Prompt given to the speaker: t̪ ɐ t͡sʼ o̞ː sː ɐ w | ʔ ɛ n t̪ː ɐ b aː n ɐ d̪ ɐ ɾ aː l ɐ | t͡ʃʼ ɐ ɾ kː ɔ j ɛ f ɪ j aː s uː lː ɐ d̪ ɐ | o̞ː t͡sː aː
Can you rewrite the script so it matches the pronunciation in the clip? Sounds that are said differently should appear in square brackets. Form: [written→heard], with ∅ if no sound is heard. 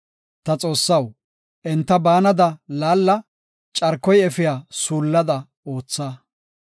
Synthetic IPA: t̪ ɐ t͡sʼ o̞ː sː ɐ w | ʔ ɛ n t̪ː ɐ b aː n ɐ d̪ ɐ [ɾ→l] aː [l→lː] ɐ | t͡ʃʼ ɐ ɾ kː ɔ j ɛ f ɪ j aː s uː lː ɐ d̪ ɐ | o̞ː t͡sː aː